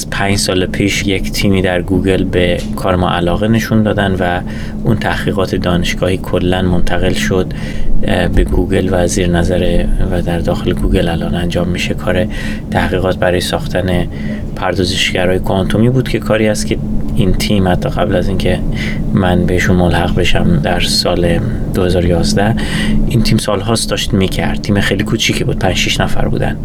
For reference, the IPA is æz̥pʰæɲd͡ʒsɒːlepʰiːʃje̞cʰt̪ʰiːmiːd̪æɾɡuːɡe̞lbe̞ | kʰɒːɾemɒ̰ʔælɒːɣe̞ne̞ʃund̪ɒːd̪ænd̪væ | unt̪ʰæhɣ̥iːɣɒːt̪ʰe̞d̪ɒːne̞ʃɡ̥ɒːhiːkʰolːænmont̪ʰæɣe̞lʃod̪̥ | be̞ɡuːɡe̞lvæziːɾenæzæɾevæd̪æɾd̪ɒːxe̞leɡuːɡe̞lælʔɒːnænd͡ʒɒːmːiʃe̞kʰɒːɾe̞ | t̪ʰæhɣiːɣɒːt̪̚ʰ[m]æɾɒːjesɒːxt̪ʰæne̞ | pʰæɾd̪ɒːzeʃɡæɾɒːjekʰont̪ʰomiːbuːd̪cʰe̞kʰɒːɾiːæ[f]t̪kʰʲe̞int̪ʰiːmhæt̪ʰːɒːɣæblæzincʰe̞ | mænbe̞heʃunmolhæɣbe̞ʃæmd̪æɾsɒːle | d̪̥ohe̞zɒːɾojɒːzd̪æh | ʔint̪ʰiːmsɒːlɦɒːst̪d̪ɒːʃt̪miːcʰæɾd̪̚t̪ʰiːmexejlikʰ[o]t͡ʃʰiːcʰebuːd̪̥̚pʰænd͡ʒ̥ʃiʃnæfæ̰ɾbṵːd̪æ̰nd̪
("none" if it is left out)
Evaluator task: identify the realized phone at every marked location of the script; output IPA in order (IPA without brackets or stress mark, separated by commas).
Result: b, s, u